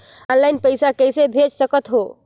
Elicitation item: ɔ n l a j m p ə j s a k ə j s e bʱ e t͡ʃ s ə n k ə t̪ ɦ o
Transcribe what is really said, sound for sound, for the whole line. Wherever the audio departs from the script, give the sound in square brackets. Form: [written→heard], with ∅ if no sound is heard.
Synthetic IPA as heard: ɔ n l a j [m→n] p ə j s a k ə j s e bʱ e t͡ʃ s ə [n→∅] k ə t̪ ɦ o